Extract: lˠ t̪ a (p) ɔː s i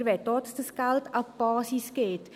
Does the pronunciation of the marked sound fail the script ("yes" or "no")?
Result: no